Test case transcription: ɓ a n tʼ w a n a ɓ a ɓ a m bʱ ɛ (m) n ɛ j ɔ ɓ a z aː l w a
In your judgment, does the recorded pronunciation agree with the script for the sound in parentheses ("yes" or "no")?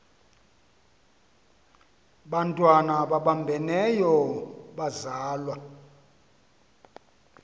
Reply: no